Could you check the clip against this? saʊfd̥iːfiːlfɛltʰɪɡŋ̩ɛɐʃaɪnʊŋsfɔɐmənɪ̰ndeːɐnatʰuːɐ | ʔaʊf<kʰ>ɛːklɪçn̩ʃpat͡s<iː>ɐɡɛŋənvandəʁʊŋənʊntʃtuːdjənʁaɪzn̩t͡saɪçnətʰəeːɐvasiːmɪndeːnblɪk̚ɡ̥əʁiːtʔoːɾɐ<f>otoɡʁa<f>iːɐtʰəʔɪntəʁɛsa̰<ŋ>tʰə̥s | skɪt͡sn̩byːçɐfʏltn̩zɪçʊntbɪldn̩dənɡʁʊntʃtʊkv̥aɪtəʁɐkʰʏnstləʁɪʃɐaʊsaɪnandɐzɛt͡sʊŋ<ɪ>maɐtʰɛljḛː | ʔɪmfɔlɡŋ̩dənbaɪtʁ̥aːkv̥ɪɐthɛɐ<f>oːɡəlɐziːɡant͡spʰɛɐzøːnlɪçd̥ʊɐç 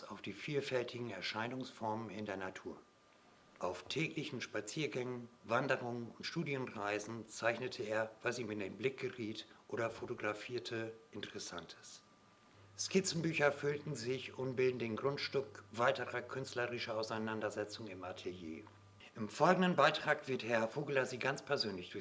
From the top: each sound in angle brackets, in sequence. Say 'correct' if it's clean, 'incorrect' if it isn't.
incorrect, correct, correct, correct, incorrect, correct, correct

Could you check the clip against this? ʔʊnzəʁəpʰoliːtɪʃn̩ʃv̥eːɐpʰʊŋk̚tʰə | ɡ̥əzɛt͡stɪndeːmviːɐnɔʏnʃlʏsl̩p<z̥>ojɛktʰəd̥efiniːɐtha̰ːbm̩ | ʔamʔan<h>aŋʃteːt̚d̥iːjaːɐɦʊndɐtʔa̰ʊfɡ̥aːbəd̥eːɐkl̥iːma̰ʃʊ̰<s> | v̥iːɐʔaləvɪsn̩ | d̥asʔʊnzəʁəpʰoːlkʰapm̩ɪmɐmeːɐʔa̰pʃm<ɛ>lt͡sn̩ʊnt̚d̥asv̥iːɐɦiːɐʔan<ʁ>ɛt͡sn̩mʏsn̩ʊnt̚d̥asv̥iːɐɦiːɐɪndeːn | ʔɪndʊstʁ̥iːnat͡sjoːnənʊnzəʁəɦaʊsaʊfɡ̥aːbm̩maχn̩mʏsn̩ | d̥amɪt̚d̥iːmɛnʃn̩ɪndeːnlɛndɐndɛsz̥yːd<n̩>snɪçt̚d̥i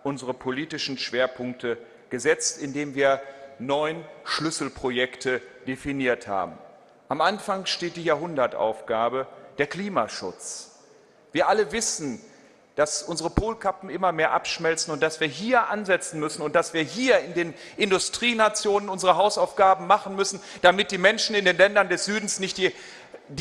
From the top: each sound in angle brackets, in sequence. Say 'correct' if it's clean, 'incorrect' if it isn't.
incorrect, incorrect, incorrect, correct, incorrect, correct

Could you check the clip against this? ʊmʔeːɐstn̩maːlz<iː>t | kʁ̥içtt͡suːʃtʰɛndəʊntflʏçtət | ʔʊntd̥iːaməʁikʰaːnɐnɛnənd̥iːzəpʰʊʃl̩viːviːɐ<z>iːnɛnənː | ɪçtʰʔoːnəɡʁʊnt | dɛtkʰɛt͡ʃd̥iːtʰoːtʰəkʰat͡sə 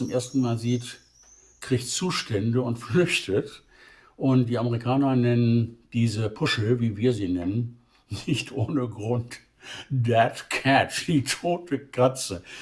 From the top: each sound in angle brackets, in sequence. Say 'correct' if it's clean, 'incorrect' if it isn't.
correct, correct

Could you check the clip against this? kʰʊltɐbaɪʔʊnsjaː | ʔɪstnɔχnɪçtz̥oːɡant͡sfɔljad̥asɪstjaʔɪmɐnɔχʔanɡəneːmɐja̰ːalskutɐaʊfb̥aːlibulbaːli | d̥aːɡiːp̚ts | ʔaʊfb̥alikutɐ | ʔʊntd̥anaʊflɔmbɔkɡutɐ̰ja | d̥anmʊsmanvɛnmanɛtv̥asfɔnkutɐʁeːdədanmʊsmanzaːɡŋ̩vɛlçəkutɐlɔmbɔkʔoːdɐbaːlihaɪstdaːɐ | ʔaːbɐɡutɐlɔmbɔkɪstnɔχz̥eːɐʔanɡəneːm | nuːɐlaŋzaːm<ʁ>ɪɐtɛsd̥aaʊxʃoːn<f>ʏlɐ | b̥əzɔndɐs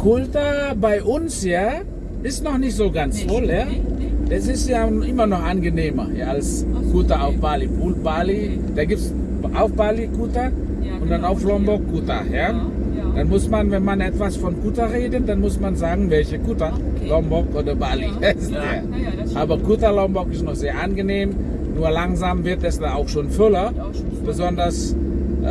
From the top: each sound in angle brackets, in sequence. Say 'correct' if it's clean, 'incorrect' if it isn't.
incorrect, correct

